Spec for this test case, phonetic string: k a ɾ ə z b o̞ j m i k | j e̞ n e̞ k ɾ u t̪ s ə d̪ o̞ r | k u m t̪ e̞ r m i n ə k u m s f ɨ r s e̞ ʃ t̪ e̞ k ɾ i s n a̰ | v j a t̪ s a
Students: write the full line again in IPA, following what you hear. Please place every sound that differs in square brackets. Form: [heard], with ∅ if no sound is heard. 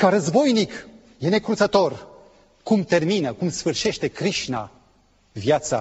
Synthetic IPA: k a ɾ ə z b o̞ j [n] i k | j e̞ n e̞ k ɾ u t̪ s ə [t̪] o̞ r | k u m t̪ e̞ r m i n ə k u m s f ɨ r [ʃ] e̞ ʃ t̪ e̞ k ɾ i [ʃ] n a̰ | v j a t̪ s a